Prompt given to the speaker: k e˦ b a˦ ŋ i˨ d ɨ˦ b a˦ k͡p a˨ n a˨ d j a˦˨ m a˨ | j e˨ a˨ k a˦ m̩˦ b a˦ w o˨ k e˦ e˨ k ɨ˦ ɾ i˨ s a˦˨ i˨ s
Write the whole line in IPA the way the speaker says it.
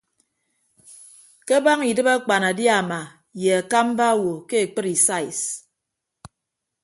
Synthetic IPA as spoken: k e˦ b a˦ ŋ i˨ d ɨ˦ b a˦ k͡p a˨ n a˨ d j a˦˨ m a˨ | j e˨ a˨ k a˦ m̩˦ b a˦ w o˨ k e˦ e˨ k͡p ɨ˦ ɾ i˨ s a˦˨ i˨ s